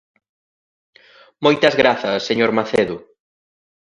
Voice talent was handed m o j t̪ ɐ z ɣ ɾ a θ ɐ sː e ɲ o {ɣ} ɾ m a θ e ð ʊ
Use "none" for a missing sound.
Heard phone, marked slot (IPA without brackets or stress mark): none